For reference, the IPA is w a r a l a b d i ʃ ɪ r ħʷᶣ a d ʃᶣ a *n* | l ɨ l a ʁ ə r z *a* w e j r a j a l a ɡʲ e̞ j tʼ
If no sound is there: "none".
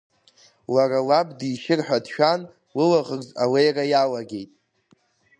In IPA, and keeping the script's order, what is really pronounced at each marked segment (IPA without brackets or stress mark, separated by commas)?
n, a